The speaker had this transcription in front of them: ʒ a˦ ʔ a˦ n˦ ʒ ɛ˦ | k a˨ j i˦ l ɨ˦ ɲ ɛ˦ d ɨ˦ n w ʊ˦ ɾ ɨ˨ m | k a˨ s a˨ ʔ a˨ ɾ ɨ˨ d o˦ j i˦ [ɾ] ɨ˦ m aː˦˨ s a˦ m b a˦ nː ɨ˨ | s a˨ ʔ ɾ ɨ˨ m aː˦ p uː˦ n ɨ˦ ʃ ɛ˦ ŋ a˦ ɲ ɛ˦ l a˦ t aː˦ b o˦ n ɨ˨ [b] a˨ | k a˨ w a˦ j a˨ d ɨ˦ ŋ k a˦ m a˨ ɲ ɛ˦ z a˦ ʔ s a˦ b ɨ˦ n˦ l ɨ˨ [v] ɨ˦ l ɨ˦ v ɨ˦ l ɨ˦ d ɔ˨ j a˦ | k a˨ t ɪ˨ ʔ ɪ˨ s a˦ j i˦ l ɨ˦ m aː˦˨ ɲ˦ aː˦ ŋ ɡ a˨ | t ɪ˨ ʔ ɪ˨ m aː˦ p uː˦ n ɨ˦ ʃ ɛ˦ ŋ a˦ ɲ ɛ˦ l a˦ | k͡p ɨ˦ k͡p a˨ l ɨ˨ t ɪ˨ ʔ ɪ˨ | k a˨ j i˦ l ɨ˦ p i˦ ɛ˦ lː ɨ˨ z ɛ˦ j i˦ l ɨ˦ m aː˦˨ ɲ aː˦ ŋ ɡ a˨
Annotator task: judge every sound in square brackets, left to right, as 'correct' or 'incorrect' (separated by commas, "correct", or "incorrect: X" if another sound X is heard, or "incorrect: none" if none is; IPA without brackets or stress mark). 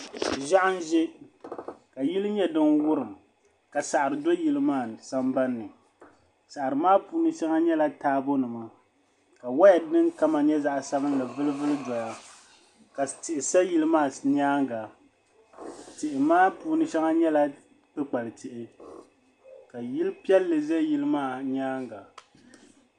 incorrect: l, incorrect: m, correct